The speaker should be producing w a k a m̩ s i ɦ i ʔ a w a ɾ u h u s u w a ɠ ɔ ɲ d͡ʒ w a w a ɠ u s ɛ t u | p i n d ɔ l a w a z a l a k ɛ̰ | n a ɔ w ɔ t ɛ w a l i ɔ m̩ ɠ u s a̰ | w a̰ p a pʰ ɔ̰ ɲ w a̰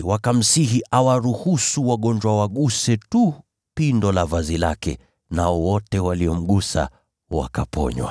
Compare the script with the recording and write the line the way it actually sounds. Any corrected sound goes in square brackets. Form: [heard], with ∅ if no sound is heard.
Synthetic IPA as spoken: w a k a m̩ s i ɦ i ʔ a w a ɾ u h u s u w a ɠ ɔ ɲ d͡ʒ w a w a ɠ u s ɛ t u | p i n d ɔ l a [v] a z [i] l a k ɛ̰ | n a ɔ w ɔ t ɛ w a l i ɔ m̩ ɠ u s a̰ | w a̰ [k] a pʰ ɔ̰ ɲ w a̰